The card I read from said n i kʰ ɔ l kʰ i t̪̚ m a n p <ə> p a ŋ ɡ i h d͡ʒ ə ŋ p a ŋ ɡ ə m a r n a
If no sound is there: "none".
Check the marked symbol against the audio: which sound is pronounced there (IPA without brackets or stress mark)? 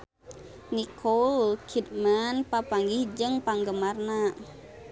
a